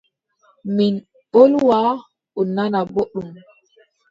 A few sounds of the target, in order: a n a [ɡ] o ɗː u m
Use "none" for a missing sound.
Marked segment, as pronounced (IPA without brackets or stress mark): b